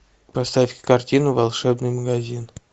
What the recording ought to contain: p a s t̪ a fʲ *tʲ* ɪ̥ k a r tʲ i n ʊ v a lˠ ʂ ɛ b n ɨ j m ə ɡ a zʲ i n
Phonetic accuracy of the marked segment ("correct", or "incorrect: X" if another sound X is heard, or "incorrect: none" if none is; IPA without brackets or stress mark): incorrect: kʲ